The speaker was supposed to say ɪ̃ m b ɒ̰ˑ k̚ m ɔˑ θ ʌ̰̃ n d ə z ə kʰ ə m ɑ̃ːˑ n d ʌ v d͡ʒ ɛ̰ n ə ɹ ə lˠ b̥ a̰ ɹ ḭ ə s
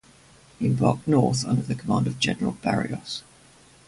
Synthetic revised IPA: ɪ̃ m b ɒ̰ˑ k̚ n ɔˑ θ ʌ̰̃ n d ə ð ə kʰ ə m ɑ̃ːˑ n d ə v d͡ʒ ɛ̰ n ə ɹ ə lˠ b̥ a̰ ɹ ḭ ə s

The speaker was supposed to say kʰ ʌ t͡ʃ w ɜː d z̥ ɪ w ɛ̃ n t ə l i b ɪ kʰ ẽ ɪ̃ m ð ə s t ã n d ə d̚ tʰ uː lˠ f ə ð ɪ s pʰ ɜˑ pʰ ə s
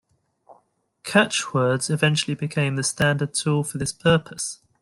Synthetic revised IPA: kʰ a t͡ʃ w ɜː d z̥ ɪ v ɛ̃ n t͡ʃ ə l i b ɪ kʰ ẽ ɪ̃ m ð ə s t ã n d ə d̚ tʰ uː lˠ f ə ð ɪ s pʰ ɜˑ pʰ ə s

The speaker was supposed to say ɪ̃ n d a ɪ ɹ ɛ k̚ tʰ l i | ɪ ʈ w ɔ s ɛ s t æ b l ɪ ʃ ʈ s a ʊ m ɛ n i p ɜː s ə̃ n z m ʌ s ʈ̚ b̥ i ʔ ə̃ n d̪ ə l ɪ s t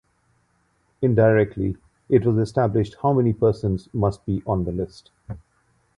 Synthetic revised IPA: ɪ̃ n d a ɪ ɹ ɛ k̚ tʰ l i | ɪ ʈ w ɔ z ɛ s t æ b l ɪ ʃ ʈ h a ʊ m ɛ n i p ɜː s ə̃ n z m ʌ s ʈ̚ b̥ i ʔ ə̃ n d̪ ə l ɪ s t

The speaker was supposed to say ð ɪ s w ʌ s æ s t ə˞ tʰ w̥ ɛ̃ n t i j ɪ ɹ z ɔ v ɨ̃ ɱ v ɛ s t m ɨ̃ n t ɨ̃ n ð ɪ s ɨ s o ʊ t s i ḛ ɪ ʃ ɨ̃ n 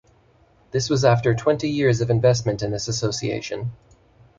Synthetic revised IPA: ð ɪ s w ʌ z æ f t ə˞ tʰ w̥ ɛ̃ n t i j ɪ ɹ z ʌ v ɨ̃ ɱ v ɛ s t m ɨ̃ n t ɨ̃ n ð ɪ s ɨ s o ʊ s i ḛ ɪ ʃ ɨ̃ n

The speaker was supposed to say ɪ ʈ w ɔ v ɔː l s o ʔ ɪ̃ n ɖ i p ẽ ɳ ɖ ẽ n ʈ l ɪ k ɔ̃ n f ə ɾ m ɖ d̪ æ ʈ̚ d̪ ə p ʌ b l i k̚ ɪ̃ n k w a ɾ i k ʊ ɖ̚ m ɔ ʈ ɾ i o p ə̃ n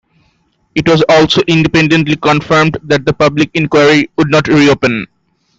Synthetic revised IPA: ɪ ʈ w ɔ z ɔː l s o ʔ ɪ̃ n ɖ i p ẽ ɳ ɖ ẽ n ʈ l i k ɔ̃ n f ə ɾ m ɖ d̪ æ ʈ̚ d̪ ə p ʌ b l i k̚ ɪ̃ n k w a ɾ i k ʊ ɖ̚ n ɔ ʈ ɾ i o p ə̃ n

